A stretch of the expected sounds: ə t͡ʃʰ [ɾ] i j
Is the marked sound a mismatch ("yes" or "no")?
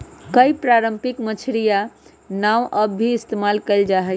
no